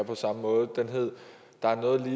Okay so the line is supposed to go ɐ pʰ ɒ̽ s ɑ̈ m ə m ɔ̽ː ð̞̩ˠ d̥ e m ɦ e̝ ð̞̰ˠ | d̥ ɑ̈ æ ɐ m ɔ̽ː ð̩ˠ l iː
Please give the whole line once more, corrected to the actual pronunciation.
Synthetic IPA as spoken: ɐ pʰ ɒ̽ s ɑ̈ m ə m ɔ̽ː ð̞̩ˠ d̥ e n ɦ e̝ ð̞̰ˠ | d̥ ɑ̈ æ ɐ n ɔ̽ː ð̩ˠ l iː